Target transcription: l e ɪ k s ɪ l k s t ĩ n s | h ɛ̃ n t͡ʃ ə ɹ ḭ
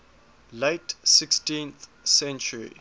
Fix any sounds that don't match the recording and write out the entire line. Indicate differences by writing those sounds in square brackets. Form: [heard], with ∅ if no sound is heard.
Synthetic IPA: l e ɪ [t] s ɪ [∅] k s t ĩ n [θ] | [s] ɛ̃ n t͡ʃ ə ɹ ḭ